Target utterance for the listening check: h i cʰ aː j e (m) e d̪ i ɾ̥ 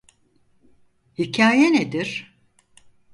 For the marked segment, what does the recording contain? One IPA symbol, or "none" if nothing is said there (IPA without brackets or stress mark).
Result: n